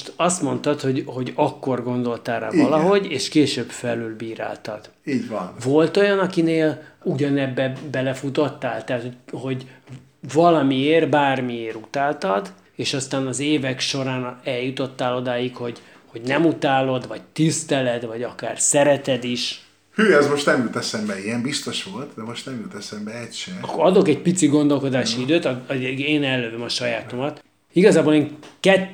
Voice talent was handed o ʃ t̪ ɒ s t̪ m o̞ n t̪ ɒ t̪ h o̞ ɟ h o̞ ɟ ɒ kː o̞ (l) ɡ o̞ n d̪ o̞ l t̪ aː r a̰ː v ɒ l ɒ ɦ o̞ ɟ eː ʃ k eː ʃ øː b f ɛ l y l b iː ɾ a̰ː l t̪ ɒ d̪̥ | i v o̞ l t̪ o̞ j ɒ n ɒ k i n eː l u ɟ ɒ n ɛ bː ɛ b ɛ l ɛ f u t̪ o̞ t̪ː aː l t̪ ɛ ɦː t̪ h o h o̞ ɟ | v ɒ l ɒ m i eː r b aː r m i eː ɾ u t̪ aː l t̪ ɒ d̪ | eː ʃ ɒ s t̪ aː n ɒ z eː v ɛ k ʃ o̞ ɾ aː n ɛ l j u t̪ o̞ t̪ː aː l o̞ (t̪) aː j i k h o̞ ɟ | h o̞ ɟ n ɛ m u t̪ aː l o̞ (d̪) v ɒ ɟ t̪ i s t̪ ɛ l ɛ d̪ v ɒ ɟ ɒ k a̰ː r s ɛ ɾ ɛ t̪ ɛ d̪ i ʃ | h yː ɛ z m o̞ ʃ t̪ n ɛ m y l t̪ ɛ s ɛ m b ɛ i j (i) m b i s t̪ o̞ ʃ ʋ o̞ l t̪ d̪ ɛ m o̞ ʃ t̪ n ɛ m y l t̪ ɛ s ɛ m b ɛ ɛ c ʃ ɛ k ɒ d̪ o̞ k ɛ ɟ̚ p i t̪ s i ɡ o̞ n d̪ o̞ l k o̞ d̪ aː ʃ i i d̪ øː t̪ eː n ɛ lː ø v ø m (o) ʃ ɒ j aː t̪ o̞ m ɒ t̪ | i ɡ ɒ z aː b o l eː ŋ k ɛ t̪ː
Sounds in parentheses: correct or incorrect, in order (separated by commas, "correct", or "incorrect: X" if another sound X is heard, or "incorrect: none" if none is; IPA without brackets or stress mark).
incorrect: r, incorrect: d̪, correct, incorrect: ɛ, incorrect: ɒ